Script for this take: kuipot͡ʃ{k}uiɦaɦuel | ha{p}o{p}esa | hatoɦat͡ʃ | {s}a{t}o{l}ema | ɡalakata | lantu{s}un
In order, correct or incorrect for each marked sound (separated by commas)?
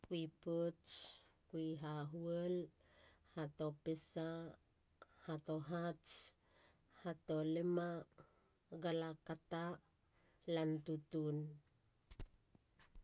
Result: correct, incorrect, correct, incorrect, correct, correct, incorrect